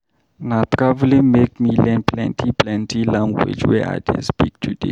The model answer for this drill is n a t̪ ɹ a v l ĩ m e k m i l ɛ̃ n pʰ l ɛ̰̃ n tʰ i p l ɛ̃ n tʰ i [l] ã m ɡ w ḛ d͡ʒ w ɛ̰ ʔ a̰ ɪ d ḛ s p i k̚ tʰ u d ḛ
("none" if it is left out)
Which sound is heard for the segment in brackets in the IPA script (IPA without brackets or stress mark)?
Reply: l